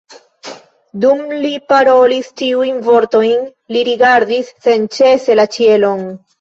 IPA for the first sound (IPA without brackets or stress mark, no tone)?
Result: d